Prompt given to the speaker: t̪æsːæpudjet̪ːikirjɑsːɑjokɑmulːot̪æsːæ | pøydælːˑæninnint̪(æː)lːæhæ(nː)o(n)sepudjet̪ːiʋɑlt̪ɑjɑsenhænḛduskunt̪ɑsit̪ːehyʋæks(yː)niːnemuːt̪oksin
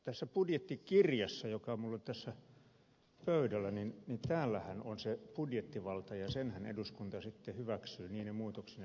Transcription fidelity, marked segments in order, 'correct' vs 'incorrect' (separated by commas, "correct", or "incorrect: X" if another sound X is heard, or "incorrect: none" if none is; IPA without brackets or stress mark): correct, incorrect: n, correct, correct